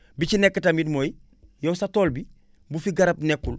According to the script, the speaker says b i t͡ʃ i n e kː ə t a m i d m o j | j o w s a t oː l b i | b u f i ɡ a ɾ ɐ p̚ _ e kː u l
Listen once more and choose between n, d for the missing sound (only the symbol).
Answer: n